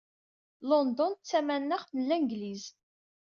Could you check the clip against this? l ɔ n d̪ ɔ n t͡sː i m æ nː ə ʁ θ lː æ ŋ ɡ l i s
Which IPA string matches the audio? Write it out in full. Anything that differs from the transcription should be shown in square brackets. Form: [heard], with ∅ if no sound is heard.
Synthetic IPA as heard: l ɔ n d̪ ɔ n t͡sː [æ] m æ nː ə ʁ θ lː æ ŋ ɡ l i [z]